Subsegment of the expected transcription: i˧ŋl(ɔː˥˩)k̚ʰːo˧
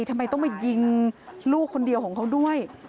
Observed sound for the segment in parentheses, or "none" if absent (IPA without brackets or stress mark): uː˥˩